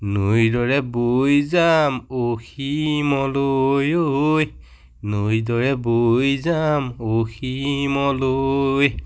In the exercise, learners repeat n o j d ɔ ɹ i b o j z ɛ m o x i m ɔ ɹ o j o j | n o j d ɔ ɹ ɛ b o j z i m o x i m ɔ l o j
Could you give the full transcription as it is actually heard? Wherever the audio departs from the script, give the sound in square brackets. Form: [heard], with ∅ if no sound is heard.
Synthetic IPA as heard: n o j d ɔ ɹ [ɛ] b o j z [a] m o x i m ɔ [l] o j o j | n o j d ɔ ɹ ɛ b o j z [a] m o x i m ɔ l o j